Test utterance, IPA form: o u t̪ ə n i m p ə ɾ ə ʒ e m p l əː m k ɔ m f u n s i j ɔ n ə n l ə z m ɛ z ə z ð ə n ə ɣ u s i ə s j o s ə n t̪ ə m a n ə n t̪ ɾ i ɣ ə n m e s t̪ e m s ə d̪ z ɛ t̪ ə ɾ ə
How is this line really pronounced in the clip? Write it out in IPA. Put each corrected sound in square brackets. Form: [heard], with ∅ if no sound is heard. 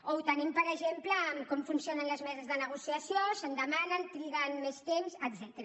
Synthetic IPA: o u t̪ ə n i m p ə ɾ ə ʒ e m p l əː m k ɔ m f u n s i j [o] n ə n l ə z m ɛ z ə z ð ə n ə ɣ u s i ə s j o s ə n [d̪] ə m a n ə n t̪ ɾ i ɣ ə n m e s t̪ e m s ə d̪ z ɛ t̪ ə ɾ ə